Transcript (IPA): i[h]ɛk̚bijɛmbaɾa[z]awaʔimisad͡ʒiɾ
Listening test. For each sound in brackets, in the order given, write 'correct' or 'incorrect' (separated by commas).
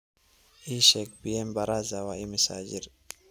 incorrect, correct